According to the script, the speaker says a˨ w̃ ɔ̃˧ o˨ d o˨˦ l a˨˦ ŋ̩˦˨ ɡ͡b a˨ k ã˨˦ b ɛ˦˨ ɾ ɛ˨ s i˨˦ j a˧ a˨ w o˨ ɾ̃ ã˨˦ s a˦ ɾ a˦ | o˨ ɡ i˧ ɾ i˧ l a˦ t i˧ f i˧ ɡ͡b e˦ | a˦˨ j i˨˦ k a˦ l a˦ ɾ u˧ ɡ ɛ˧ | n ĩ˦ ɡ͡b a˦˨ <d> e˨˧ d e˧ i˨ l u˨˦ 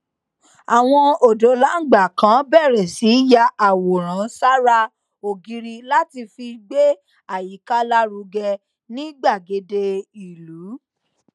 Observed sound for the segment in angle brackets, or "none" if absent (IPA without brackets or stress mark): ɡ